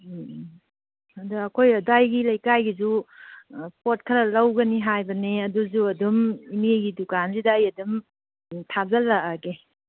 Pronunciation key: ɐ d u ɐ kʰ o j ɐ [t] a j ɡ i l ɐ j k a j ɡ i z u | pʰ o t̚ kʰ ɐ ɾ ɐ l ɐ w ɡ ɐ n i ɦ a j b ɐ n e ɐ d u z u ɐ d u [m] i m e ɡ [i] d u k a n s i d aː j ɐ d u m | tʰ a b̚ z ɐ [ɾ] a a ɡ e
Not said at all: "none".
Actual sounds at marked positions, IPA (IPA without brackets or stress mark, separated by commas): d, m, i, l